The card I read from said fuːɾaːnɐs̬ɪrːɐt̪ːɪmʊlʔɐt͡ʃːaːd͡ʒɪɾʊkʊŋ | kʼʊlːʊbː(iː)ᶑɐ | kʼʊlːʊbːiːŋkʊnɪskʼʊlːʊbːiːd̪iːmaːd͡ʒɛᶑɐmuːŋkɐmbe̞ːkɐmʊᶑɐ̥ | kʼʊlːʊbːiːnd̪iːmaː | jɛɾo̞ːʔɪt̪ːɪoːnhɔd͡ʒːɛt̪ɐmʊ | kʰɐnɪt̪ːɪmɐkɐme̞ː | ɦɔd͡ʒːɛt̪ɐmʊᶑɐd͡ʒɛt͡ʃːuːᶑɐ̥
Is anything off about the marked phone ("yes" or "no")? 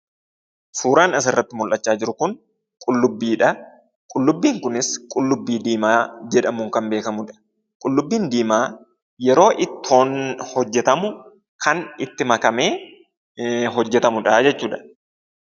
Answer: no